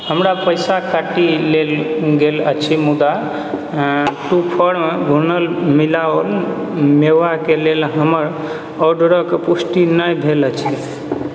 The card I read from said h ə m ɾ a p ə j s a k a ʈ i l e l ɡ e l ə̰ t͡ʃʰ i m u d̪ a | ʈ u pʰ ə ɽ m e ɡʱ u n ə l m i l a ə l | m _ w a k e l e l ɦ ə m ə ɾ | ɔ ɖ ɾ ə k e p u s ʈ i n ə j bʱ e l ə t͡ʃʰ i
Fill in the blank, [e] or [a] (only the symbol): e